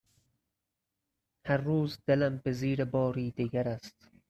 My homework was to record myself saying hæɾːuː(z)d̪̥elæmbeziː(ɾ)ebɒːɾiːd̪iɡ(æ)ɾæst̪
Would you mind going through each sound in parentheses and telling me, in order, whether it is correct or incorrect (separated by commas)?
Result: correct, correct, correct